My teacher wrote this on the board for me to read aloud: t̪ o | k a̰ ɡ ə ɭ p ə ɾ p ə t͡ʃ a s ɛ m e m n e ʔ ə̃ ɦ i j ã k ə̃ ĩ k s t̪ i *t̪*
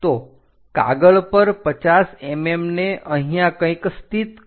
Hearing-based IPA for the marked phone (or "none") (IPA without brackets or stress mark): t̪